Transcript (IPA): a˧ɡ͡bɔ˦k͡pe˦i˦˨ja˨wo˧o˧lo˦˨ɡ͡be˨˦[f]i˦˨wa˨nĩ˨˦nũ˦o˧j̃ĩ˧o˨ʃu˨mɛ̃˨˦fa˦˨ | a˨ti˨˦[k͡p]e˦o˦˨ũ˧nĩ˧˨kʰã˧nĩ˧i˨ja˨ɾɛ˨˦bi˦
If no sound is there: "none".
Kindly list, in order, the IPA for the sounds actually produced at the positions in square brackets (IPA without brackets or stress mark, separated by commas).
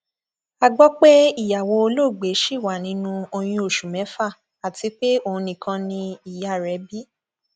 ʃ, k͡p